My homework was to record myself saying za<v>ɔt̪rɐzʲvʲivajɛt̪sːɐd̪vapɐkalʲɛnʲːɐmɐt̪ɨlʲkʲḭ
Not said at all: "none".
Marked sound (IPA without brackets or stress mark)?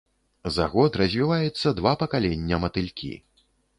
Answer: ɣ